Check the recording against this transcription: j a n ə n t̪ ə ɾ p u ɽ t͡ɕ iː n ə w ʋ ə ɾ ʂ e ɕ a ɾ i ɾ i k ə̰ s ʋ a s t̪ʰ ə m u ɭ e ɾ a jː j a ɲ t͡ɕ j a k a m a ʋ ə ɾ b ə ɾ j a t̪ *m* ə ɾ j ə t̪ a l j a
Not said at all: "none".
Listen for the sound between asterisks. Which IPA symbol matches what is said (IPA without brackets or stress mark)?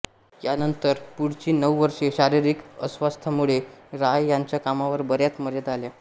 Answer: m